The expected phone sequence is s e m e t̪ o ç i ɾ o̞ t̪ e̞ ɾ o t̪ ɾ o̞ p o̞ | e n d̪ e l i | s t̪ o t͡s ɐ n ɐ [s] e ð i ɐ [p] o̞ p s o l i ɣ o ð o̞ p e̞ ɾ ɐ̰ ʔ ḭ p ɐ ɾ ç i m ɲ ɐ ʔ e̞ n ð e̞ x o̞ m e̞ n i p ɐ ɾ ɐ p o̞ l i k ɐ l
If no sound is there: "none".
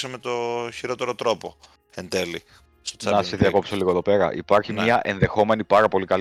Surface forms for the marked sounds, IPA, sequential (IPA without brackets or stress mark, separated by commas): s, k